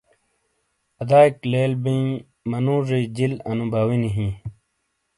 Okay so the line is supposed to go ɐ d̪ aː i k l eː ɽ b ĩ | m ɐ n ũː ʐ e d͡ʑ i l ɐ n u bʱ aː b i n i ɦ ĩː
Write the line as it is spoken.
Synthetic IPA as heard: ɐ d̪ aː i k l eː l b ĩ | m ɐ n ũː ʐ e d͡ʑ i l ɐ n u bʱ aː w i n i ɦ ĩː